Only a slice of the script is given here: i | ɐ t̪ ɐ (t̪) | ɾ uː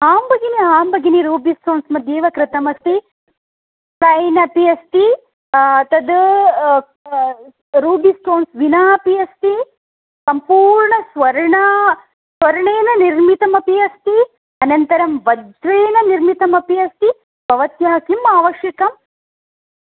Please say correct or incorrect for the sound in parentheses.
incorrect